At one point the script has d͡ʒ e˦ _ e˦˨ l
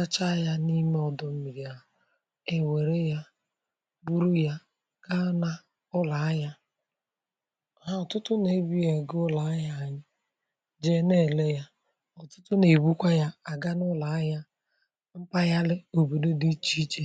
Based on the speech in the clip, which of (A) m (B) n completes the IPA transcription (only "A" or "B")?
B